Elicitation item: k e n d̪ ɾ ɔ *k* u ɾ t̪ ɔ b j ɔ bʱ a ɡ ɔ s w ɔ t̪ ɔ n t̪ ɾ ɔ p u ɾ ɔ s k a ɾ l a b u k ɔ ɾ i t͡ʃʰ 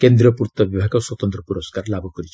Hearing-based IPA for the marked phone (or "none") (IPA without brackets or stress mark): p